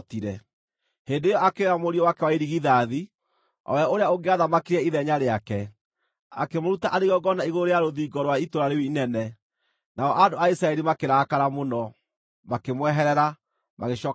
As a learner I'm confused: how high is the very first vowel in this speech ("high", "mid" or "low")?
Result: high